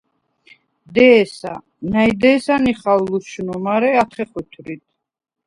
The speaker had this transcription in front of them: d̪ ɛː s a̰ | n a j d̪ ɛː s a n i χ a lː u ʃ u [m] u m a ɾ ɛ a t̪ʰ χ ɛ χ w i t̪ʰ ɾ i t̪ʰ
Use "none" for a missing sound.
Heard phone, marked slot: n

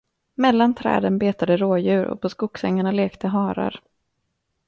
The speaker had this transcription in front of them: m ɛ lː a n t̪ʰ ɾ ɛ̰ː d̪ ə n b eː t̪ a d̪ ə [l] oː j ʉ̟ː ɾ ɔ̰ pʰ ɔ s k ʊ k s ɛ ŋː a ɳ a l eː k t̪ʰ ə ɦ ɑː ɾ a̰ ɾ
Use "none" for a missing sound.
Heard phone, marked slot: ɾ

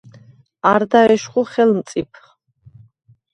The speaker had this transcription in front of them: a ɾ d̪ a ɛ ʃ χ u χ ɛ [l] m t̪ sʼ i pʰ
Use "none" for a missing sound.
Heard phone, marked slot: l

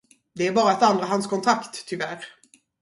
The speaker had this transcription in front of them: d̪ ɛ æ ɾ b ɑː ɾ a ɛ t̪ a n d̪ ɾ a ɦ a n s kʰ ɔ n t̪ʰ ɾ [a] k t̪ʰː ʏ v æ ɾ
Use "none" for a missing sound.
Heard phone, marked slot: a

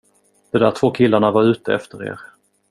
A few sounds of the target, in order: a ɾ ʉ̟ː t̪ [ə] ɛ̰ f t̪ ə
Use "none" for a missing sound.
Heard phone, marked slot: ə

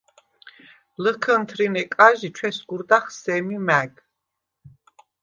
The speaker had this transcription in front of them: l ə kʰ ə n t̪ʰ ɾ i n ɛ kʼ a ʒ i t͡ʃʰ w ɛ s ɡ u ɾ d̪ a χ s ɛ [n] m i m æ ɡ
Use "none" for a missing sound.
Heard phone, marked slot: none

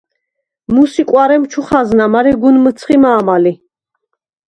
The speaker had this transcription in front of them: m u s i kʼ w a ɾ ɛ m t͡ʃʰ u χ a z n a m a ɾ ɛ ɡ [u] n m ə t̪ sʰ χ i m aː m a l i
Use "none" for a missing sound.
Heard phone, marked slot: u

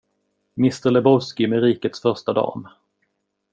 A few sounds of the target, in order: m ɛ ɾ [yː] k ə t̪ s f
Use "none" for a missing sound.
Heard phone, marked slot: iː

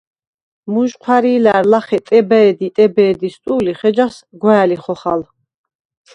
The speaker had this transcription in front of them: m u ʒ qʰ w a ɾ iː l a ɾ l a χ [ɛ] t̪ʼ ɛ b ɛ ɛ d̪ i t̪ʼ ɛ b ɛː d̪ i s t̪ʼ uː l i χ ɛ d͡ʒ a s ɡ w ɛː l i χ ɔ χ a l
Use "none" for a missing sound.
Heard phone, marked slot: ɛ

